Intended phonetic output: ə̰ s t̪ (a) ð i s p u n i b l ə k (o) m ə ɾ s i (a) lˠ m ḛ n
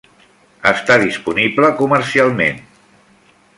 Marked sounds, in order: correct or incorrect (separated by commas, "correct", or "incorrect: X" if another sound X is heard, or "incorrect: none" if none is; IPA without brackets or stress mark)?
correct, incorrect: u, correct